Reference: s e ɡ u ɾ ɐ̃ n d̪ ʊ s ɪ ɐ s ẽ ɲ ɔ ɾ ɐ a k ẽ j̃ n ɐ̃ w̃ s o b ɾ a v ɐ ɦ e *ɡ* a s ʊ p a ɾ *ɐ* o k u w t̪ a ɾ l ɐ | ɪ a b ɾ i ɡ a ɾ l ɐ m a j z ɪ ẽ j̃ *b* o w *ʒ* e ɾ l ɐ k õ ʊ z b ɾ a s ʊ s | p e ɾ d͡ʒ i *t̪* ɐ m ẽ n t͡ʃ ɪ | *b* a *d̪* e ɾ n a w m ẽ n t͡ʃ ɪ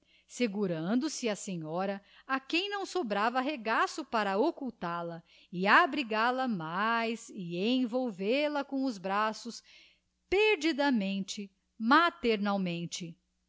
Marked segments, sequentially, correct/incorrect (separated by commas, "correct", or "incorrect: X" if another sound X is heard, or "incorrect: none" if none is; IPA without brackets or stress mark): correct, correct, incorrect: v, incorrect: v, incorrect: d̪, incorrect: m, incorrect: t̪